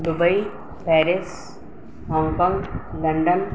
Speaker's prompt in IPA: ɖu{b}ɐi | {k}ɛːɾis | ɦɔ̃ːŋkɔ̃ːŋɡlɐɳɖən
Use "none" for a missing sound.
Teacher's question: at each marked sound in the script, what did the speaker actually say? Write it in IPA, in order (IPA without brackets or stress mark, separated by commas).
b, p